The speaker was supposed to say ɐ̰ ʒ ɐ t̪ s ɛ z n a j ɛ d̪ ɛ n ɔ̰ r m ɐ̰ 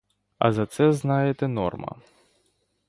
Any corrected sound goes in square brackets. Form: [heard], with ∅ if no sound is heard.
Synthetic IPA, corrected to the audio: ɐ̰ [z] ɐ t̪ s ɛ z n a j ɛ [t̪] ɛ n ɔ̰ r m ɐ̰